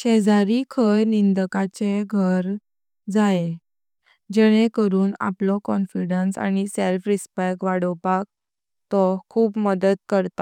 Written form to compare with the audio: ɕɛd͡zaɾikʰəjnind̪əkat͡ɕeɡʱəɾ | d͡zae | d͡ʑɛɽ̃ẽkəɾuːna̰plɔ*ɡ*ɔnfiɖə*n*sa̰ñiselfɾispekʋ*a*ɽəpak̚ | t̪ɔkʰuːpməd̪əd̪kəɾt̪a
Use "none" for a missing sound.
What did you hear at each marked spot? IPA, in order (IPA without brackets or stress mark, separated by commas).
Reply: k, n, a